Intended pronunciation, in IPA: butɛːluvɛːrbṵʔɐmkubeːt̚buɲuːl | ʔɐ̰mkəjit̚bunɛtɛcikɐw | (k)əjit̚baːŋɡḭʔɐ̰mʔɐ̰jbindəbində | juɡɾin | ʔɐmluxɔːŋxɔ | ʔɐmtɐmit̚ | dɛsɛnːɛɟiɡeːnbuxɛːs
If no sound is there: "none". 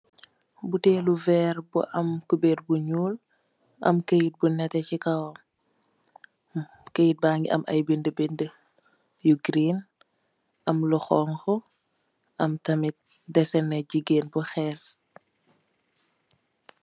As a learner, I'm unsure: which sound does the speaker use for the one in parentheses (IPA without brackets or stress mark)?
k